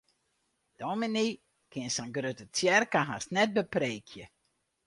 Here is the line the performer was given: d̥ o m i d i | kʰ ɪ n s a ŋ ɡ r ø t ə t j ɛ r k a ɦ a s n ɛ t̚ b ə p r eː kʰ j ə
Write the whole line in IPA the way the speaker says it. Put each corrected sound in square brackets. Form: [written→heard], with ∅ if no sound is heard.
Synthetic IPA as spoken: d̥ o m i [d→n] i | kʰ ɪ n s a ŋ ɡ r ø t ə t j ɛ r k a ɦ a s n ɛ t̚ b ə p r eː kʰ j ə